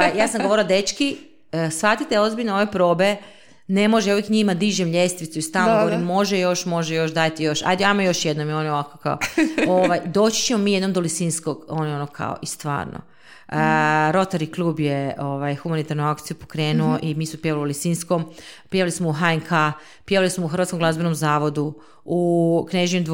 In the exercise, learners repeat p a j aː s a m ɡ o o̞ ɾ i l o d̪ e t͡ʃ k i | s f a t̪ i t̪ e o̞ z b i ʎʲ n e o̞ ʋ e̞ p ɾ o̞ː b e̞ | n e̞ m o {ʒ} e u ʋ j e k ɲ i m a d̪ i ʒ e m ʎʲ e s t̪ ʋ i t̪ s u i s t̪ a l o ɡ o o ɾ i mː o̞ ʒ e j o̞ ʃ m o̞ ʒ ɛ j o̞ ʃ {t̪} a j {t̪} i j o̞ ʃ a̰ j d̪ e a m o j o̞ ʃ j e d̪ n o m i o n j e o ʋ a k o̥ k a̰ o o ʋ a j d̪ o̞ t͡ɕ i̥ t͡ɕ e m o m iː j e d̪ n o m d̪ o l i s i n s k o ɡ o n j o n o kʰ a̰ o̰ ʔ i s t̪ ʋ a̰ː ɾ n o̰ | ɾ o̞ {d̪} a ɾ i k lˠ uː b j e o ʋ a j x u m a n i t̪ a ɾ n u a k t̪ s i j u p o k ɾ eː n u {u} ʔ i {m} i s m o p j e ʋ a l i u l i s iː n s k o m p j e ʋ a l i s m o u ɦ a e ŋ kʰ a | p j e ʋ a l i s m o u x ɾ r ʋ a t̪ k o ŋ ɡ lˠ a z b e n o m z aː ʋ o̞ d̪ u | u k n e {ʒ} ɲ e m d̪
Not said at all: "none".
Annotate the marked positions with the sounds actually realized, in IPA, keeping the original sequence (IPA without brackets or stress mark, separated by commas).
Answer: ʒ, d̪, t̪, t̪, o, m, ʒ